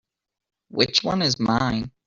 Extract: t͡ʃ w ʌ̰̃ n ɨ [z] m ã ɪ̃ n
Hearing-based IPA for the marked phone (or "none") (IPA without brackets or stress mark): z